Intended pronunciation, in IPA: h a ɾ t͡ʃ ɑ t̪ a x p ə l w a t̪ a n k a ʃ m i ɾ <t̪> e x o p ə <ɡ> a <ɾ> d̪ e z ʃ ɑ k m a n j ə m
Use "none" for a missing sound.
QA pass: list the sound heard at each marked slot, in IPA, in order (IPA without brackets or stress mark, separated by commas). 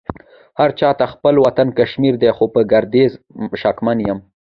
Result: d̪, ɡ, ɾ